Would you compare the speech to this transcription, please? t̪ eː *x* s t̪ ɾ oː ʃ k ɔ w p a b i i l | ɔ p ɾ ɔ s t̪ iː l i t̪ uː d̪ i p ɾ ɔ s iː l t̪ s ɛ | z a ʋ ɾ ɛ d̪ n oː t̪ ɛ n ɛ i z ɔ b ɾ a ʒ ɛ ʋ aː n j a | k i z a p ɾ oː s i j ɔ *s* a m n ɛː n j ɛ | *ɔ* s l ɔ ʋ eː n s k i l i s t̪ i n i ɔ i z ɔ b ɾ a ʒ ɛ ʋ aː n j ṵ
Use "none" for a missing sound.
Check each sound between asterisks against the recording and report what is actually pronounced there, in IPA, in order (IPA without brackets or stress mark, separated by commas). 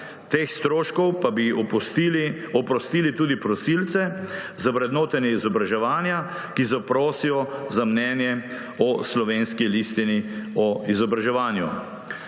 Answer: x, z, ɔ